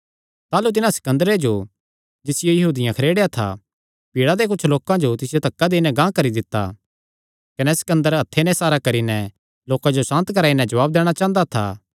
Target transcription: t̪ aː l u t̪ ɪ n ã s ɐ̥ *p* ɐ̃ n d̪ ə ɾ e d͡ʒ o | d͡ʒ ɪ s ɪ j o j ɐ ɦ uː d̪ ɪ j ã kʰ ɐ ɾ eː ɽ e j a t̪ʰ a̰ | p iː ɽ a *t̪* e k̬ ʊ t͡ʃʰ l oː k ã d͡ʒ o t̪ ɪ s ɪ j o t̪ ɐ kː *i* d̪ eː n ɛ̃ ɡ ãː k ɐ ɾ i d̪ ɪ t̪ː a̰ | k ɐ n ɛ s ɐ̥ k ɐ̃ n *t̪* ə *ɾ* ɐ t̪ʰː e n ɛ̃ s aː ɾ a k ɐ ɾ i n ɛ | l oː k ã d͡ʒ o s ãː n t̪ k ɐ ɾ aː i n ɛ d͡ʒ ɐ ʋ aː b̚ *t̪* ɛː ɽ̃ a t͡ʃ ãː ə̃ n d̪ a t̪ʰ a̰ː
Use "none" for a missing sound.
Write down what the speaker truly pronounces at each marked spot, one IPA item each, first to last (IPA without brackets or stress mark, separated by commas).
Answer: k, d̪, a, d̪, ɾ, d̪